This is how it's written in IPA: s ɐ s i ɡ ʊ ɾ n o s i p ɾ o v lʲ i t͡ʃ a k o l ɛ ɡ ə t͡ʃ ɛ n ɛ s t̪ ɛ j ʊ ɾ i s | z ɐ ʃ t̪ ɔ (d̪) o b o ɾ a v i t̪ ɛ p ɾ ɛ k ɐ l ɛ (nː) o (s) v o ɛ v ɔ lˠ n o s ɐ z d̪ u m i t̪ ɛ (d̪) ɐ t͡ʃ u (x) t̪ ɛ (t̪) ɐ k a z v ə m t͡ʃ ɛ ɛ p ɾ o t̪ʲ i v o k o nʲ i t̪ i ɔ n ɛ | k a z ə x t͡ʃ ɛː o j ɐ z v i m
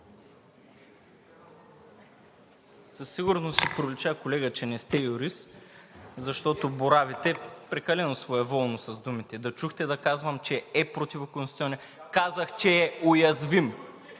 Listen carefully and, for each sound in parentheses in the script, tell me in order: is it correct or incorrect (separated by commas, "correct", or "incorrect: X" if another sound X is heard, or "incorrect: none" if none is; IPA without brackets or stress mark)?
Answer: incorrect: t̪, incorrect: n, correct, correct, correct, incorrect: d̪